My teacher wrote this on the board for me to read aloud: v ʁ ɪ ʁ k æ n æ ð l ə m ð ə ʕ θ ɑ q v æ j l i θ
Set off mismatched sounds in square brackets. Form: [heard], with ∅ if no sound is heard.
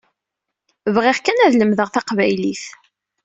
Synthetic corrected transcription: v ʁ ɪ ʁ k æ n æ ð l ə m ð ə [ʁ] θ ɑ q v æ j l i θ